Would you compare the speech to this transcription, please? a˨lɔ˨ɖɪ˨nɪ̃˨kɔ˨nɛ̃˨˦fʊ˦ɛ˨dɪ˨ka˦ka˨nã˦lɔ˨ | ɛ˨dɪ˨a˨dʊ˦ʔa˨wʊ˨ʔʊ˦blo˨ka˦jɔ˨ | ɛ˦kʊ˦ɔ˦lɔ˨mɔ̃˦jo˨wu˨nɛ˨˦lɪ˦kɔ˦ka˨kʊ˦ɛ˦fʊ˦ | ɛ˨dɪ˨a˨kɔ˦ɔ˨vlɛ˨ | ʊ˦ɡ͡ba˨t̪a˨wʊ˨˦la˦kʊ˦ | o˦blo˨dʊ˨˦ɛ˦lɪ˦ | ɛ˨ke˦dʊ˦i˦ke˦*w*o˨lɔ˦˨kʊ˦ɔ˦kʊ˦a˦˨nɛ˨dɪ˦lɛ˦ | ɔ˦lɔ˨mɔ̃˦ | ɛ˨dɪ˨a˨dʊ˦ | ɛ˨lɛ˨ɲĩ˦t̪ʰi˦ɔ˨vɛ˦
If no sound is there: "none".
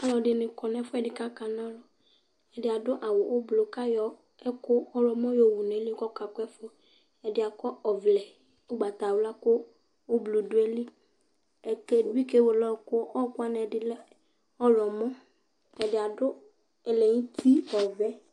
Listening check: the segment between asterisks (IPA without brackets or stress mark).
w